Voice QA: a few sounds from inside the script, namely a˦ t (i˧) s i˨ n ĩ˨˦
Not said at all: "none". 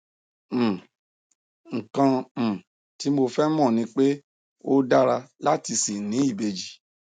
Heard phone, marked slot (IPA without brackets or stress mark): i˧